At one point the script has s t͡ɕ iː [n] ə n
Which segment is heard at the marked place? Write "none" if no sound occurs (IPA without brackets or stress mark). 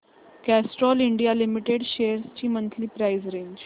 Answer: m